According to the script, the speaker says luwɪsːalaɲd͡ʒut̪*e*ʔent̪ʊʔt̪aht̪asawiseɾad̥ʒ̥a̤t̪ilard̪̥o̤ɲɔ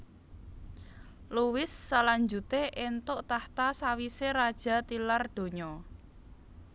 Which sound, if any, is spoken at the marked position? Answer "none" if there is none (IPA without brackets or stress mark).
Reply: e